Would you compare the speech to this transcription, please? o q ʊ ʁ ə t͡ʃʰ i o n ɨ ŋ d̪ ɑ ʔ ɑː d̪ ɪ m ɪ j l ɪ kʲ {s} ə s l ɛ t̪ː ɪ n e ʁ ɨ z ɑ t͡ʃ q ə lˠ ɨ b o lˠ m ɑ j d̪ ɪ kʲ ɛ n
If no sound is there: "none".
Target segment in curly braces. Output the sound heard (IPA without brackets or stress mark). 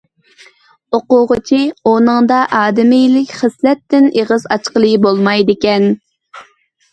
χ